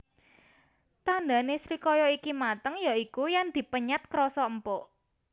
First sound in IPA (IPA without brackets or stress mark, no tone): t̪